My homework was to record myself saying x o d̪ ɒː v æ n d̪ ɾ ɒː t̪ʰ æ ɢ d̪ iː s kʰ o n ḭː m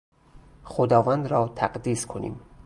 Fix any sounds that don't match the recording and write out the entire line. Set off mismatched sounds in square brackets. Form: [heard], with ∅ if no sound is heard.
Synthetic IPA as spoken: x o d̪ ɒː v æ n d̪ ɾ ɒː t̪ʰ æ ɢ d̪ iː s kʰ o n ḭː m